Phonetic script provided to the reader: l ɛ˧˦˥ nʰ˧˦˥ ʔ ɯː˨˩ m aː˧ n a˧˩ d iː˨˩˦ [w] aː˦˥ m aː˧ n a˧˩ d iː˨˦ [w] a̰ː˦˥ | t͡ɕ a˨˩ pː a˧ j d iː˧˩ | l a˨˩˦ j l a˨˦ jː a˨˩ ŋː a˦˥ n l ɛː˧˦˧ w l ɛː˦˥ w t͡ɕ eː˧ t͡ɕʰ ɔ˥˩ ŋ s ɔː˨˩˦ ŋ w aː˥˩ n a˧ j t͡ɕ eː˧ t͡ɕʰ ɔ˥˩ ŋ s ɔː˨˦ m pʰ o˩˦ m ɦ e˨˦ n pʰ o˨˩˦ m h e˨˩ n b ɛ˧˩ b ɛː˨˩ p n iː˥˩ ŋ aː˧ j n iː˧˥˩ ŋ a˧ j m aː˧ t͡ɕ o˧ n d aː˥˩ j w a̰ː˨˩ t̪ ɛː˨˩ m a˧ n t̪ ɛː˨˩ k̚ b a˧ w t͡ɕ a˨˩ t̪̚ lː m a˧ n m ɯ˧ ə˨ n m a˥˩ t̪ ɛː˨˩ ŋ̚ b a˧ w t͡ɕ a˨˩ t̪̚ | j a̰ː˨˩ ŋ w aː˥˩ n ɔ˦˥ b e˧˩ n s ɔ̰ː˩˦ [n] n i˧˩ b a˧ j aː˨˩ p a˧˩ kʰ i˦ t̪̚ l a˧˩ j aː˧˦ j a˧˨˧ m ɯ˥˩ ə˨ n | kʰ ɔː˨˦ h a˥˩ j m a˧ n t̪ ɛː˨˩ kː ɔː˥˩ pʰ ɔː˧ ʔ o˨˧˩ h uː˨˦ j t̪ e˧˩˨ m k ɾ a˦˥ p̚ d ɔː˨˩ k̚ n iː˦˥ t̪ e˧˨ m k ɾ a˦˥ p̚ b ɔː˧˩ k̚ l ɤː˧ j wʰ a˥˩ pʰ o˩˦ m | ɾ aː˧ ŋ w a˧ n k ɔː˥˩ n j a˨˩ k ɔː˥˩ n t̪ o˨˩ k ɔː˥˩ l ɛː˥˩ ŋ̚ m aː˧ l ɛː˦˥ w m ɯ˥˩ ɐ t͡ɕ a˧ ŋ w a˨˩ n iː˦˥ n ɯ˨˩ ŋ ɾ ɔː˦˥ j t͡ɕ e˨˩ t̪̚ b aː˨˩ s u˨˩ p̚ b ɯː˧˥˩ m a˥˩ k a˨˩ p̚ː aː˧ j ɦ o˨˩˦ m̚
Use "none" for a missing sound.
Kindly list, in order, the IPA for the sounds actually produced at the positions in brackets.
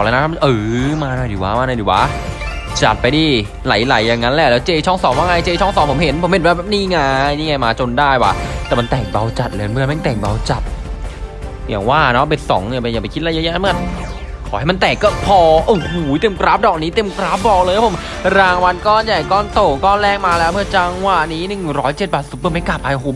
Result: w, w, ŋ

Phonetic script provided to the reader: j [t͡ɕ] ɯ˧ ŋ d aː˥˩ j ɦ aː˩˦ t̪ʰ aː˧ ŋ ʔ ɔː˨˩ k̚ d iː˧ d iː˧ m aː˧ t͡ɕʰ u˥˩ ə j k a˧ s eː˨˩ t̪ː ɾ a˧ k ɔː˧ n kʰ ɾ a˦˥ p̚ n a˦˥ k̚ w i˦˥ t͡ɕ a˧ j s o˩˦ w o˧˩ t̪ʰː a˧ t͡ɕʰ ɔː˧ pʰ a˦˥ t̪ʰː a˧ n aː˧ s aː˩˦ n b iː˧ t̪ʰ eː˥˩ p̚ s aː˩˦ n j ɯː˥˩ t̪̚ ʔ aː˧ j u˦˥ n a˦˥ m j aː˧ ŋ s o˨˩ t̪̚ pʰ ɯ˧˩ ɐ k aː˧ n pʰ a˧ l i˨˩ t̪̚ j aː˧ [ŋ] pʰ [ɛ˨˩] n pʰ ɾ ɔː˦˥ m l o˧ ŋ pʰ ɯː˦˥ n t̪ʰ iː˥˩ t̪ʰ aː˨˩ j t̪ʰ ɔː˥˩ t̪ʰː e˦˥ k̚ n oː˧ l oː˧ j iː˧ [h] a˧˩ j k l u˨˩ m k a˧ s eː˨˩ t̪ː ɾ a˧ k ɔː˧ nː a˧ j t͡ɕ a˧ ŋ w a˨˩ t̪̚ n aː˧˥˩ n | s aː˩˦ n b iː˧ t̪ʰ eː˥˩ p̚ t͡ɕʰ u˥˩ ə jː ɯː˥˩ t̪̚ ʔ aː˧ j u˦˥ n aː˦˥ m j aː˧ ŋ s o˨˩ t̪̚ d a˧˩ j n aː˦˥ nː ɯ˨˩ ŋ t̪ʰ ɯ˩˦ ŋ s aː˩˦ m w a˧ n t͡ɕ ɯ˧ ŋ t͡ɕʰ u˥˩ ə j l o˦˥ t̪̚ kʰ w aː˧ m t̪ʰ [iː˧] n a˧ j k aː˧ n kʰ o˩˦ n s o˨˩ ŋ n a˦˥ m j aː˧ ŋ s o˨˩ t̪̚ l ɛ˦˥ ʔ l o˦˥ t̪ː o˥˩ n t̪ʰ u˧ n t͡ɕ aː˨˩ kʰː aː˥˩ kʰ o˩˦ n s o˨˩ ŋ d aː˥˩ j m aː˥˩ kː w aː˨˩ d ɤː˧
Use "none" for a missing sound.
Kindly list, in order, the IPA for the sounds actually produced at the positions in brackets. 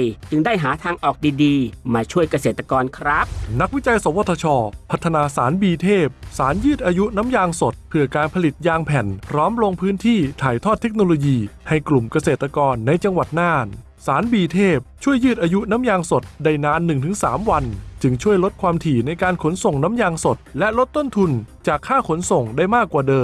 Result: t͡ɕ, ŋ, ɛ˨˩, h, iː˨˩

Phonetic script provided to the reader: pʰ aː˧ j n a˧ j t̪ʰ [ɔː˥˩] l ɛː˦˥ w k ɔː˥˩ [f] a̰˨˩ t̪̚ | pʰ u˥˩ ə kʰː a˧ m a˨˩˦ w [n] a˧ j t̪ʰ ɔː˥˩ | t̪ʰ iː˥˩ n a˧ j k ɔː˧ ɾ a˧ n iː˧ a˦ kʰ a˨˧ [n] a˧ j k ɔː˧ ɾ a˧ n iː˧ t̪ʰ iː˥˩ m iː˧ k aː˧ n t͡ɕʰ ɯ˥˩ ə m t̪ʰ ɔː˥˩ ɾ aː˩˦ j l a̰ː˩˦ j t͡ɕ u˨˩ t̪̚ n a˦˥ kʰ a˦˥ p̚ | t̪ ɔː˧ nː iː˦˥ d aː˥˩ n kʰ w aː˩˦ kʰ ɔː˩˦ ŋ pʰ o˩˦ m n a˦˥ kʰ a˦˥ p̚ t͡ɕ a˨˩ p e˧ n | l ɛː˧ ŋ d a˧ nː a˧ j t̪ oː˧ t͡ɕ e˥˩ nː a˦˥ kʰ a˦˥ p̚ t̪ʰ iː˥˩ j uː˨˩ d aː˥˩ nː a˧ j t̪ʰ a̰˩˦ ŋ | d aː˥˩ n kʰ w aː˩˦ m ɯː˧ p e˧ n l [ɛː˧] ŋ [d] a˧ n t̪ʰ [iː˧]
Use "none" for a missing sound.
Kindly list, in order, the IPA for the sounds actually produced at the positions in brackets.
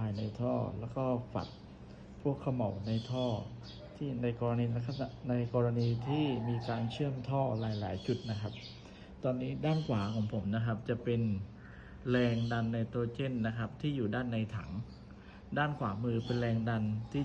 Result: ɔː˥˩, f, n, n, ɛː˧, d, iː˥˩

